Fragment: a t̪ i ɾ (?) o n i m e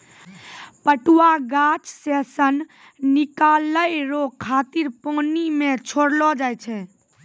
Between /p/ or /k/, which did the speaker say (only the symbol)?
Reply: p